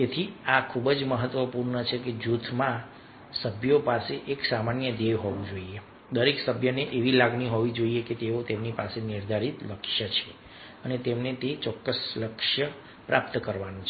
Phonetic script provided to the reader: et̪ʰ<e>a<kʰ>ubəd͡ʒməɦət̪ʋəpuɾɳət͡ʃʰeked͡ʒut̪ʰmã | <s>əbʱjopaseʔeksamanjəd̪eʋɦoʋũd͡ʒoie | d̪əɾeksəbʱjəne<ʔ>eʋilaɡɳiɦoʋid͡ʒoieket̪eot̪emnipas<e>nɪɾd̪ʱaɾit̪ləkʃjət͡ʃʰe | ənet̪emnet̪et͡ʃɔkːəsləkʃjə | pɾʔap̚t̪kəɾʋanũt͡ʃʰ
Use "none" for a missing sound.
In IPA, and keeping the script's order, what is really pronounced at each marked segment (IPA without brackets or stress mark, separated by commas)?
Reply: i, kʰ, s, ʔ, e